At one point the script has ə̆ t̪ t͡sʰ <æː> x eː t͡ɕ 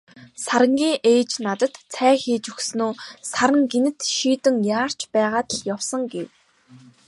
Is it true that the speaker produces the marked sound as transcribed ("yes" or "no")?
yes